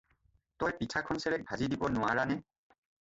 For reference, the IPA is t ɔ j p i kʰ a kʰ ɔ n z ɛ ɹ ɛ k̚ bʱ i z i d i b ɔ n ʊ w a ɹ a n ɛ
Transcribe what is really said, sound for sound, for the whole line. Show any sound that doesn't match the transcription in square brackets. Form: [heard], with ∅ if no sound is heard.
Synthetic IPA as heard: t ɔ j p i [tʰ] a kʰ ɔ n [s] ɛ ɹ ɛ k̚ bʱ [a] z i d i b ɔ n ʊ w a ɹ a n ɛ